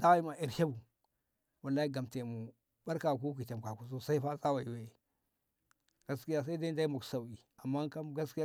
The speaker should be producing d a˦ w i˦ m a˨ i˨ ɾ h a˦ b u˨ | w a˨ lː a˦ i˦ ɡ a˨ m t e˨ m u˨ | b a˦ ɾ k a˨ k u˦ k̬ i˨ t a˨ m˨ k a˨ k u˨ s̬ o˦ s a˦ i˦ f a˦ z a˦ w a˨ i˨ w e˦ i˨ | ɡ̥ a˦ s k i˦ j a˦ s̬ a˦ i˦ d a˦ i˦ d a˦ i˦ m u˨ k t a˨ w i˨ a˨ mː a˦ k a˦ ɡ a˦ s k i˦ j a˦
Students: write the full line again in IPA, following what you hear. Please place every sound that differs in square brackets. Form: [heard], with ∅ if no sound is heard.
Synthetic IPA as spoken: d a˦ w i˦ m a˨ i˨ ɾ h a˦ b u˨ | w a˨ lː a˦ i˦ ɡ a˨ m t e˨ m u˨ | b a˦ ɾ k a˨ k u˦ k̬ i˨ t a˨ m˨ k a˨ k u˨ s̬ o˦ s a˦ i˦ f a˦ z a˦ w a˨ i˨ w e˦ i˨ | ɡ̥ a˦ s k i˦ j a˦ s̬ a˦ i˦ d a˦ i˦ d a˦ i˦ m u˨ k [s] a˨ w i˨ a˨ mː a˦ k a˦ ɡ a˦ s k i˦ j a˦